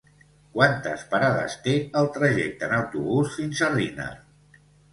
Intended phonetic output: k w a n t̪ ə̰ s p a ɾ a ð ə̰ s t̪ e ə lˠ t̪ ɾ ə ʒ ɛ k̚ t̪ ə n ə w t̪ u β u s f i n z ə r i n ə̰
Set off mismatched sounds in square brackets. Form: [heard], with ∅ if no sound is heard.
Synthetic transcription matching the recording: k w a n t̪ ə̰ s p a ɾ a ð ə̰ s t̪ e ə lˠ t̪ ɾ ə ʒ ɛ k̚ t̪ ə n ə w t̪ u β u s f i n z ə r i n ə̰